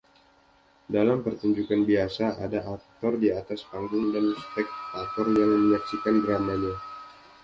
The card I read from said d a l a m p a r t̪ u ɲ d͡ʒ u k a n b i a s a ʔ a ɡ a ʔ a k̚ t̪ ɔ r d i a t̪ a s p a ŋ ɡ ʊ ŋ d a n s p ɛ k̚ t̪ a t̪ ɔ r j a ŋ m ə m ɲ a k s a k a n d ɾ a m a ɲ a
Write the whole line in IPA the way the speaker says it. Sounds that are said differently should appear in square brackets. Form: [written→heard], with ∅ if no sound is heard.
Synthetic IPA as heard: d a l a m p [a→ə] r t̪ u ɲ d͡ʒ u k a n b i a s a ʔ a [ɡ→d] a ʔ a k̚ t̪ ɔ r d i a t̪ a s p a ŋ ɡ ʊ ŋ d a n s p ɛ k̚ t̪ a t̪ ɔ r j a ŋ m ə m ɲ a k s [a→i] k a n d ɾ a m a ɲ a